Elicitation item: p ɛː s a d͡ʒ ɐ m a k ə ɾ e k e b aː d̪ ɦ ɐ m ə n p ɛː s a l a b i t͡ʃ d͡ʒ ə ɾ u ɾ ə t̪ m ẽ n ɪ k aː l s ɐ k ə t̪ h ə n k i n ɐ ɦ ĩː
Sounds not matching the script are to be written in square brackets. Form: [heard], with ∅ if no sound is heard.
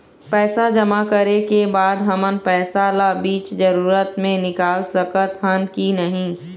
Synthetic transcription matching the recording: p ɛː s a d͡ʒ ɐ m a k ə ɾ e k e b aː d̪ ɦ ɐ m ə n p ɛː s a l a b [iː] t͡ʃ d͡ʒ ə ɾ [uː] ɾ ə t̪ m ẽ n ɪ k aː l s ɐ k ə t̪ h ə n k i n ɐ ɦ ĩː